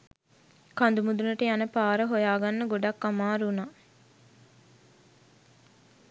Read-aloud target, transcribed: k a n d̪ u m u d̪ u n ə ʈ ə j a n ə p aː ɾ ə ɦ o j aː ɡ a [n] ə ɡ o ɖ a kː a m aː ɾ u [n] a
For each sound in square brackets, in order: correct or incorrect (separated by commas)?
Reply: incorrect, correct